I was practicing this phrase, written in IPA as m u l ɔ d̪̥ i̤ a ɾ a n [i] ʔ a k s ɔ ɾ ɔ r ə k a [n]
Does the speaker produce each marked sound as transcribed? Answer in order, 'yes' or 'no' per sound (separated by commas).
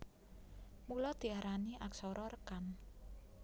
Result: yes, yes